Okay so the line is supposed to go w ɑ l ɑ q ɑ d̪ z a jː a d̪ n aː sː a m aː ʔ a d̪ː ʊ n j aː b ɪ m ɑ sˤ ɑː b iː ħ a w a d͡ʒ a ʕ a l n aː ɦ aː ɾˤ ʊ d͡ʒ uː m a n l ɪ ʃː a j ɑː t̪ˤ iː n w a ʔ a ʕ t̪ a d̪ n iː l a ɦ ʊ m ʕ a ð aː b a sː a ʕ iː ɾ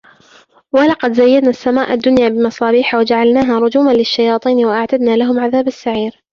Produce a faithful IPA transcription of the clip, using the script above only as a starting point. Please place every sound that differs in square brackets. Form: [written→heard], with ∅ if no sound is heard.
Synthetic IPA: w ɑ l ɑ q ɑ d̪ z a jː a d̪ n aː sː a m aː ʔ a d̪ː ʊ n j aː b ɪ m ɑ sˤ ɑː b iː ħ a w a d͡ʒ a ʕ a l n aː ɦ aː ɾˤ ʊ d͡ʒ uː m a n l ɪ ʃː a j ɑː t̪ˤ iː n w a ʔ a ʕ t̪ a d̪ n [iː→aː] l a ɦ ʊ m ʕ a ð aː b a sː a ʕ iː ɾ